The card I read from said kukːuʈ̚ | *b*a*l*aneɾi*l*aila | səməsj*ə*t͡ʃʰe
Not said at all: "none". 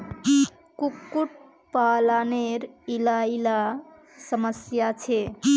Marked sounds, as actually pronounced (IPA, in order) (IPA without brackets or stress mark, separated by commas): p, l, l, a